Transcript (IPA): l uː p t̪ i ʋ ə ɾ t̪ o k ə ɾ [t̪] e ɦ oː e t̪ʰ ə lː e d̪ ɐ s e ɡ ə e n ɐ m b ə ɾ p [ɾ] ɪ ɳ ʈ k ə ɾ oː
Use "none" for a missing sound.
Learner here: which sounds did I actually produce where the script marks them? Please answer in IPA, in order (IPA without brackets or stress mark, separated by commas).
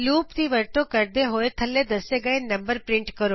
d̪, ɾ